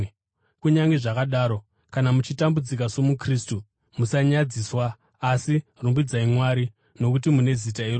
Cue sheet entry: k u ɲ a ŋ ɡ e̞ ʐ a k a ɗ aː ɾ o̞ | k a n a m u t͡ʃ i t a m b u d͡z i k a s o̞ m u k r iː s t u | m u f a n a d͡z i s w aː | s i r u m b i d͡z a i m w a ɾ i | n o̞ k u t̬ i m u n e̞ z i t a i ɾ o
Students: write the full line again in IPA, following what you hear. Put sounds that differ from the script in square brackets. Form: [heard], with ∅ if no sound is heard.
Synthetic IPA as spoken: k u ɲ a ŋ ɡ e̞ ʐ a k a ɗ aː ɾ o̞ | k a n a m u t͡ʃ i t a m b u d͡z i k a s o̞ m u k r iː s t u | m u [s] a [ɲ] a d͡z i s w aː | s i r u m b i d͡z a i m w a ɾ i | n o̞ k u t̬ i m u n e̞ z i t a i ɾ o